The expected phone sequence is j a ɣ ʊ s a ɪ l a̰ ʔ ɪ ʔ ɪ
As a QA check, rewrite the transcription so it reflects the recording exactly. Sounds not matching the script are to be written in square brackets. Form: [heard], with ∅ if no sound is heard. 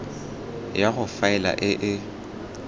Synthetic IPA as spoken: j a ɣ ʊ [f] a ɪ l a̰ ʔ ɪ ʔ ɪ